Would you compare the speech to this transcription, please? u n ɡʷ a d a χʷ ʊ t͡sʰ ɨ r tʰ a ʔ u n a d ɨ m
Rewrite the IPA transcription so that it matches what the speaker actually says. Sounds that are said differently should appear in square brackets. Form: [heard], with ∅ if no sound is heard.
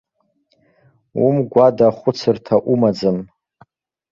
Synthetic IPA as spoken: u [m] ɡʷ a d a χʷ ʊ t͡sʰ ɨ r tʰ a ʔ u [m] a [d͡z] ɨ m